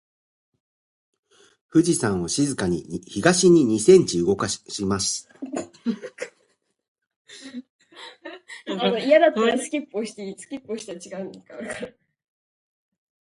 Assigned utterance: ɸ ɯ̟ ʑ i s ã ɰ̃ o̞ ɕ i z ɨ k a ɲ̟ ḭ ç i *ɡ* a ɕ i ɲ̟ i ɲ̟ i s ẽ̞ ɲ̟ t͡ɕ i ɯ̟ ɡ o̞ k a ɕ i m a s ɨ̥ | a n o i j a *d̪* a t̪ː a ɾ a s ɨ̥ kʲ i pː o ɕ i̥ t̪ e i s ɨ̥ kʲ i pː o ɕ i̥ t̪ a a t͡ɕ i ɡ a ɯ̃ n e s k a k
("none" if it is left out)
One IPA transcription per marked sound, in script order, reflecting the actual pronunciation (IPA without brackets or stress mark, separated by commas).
ɡ, d̪